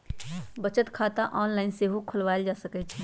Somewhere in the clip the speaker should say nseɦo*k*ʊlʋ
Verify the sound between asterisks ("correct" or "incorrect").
incorrect